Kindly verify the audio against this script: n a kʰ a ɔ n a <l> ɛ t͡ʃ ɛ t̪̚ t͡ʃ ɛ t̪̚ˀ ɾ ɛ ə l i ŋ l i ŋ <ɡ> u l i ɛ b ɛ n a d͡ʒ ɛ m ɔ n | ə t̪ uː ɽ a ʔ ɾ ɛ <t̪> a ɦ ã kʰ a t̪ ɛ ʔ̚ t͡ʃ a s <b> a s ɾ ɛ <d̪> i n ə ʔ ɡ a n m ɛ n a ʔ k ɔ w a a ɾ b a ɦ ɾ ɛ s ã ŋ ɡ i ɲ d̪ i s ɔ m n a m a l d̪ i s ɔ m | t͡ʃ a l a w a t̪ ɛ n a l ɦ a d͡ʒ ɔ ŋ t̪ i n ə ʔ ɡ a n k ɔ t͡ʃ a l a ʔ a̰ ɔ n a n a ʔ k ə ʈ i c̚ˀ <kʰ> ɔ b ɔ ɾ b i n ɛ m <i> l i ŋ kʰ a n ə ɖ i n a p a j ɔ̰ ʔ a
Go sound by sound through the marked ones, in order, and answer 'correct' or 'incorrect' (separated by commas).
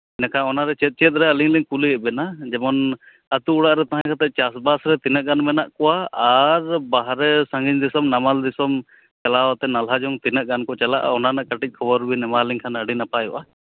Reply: incorrect, incorrect, correct, correct, incorrect, correct, incorrect